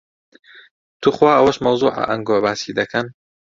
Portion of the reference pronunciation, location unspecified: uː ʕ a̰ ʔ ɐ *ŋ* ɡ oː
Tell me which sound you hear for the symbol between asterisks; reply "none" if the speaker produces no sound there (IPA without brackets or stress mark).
ŋ